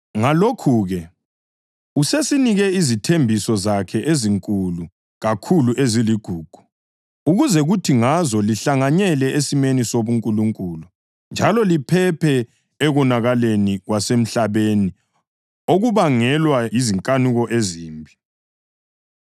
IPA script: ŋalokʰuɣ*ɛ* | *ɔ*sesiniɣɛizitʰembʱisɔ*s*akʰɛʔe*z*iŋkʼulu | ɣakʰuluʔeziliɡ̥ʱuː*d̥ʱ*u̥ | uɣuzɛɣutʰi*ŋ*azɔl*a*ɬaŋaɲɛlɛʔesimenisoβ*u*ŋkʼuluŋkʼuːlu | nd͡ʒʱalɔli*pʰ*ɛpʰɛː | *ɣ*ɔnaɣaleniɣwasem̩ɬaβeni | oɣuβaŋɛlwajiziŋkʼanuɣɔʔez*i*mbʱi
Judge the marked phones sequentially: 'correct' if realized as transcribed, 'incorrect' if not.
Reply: correct, incorrect: u, incorrect: z, correct, incorrect: ɡ̥ʱ, correct, incorrect: i, correct, correct, correct, incorrect: iː

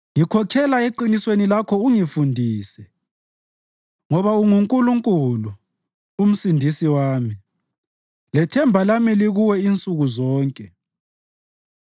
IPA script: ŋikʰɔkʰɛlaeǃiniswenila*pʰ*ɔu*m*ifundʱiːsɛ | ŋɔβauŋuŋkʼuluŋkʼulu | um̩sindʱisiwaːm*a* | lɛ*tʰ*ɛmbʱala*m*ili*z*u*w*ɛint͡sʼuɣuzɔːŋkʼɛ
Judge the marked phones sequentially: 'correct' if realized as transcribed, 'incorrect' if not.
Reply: incorrect: kʰ, incorrect: ŋ, incorrect: i, correct, correct, incorrect: ɣ, correct

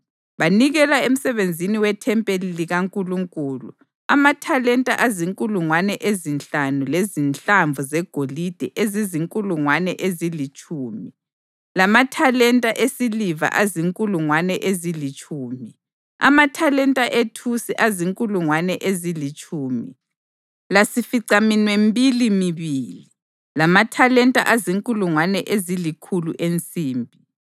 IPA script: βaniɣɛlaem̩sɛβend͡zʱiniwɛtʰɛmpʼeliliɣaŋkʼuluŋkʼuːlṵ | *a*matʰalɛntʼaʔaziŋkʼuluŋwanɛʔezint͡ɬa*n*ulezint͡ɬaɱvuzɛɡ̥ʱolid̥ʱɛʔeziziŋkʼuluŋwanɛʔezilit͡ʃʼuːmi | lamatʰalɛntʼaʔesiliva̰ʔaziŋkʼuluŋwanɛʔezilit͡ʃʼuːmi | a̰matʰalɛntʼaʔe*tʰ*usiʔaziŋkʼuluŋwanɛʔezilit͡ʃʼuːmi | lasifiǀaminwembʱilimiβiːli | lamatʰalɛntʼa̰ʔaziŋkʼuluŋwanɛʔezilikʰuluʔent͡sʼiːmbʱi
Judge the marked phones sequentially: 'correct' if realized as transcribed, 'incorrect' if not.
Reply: correct, correct, correct

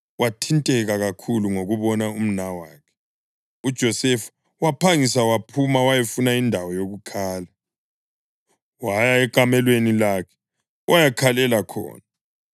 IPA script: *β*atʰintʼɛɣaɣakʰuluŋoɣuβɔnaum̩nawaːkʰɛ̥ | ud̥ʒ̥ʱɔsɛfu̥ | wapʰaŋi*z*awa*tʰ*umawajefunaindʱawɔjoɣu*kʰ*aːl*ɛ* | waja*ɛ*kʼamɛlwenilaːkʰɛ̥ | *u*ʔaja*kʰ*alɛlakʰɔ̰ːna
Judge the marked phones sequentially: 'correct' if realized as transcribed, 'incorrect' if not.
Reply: incorrect: w, incorrect: s, incorrect: pʰ, correct, incorrect: a, correct, incorrect: w, correct

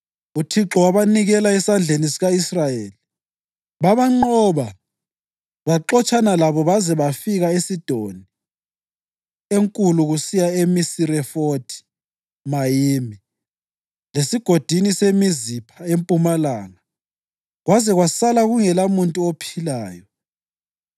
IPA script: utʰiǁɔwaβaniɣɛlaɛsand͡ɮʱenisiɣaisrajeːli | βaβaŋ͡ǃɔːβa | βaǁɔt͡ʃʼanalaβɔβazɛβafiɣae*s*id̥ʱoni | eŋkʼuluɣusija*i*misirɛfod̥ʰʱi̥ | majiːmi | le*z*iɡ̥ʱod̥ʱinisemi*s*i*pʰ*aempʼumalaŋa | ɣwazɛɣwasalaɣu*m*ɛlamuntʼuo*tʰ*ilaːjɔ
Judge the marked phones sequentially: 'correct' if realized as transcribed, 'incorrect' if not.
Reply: correct, incorrect: e, incorrect: s, incorrect: z, correct, incorrect: ŋ, incorrect: pʰ

